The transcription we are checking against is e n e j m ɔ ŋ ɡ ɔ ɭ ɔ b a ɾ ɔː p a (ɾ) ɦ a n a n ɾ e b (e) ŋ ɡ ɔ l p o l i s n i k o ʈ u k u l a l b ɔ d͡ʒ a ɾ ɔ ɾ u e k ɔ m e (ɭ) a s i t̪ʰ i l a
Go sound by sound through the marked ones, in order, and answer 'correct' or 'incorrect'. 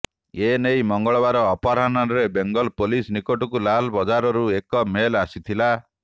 correct, correct, incorrect

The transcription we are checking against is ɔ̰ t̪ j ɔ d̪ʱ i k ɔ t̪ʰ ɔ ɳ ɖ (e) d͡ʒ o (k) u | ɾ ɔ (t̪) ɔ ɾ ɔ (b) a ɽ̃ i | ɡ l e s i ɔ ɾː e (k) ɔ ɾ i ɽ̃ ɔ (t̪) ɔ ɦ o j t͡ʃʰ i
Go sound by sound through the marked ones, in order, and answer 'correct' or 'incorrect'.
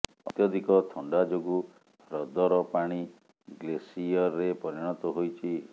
incorrect, incorrect, incorrect, incorrect, incorrect, correct

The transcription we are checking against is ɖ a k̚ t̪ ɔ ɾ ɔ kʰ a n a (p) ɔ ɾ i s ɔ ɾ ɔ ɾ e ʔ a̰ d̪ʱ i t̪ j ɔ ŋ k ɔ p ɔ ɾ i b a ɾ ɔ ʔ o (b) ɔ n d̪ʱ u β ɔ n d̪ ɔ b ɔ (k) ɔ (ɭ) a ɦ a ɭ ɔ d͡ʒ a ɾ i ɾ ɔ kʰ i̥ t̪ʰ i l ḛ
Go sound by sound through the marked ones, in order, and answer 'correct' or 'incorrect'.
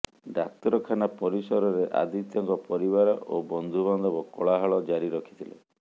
correct, correct, correct, correct

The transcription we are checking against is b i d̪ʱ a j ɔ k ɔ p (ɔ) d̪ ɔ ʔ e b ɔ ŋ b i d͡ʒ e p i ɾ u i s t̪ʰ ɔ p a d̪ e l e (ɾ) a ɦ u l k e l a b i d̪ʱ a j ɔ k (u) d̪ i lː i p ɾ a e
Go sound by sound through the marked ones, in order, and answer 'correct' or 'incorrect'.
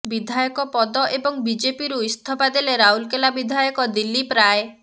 correct, correct, incorrect

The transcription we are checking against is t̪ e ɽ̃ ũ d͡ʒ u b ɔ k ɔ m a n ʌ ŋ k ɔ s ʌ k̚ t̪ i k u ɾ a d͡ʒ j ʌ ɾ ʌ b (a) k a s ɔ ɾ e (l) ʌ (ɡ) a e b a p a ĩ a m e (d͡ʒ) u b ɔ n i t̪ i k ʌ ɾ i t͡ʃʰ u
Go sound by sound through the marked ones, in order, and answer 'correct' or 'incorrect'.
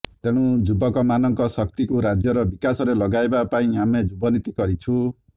incorrect, correct, correct, correct

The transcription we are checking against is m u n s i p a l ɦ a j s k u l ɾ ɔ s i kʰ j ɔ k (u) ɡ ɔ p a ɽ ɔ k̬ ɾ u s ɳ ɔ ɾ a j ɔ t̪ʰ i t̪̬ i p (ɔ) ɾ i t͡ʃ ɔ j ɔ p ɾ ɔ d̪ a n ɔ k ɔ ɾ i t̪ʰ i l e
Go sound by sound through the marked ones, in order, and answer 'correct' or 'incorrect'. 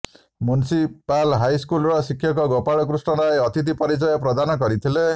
incorrect, correct

